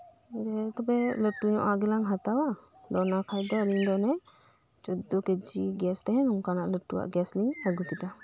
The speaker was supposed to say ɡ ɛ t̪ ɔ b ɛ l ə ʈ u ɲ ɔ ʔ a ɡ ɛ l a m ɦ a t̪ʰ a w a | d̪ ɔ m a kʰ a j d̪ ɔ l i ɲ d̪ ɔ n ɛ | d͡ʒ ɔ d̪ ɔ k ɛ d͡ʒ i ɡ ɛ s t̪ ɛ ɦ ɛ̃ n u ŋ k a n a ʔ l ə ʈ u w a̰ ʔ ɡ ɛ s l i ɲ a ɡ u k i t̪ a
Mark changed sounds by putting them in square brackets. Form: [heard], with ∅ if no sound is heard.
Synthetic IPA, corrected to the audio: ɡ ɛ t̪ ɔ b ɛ l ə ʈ u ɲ ɔ ʔ a ɡ ɛ l a [ŋ] ɦ a [t̪] a w a | d̪ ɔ [n] a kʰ a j d̪ ɔ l i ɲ d̪ ɔ n ɛ | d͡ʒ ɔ d̪ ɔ k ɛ d͡ʒ i ɡ ɛ s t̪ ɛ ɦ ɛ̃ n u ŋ k a n a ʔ l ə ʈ u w a̰ ʔ ɡ ɛ s l i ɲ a ɡ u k i t̪ a